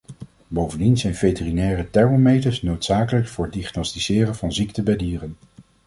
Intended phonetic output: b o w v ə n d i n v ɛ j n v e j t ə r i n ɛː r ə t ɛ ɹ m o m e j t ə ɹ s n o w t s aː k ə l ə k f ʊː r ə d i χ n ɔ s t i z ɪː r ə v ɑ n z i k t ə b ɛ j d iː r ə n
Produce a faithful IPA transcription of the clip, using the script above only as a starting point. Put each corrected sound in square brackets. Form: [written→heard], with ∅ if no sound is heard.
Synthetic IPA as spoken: b o w v ə n d i n [v→z] ɛ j n v e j t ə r i n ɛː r ə t ɛ ɹ m o m e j t ə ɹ s n o w t s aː k ə l ə k f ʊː [r→ɹ] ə d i χ n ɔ s t i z ɪː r ə v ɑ n z i k t ə b ɛ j d iː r ə n